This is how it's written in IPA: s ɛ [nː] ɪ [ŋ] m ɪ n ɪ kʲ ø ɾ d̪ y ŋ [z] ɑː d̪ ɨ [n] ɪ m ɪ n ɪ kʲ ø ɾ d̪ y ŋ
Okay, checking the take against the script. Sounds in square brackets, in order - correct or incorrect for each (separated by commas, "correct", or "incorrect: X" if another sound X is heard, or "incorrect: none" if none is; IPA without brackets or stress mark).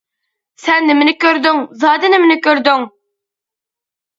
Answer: correct, incorrect: none, correct, correct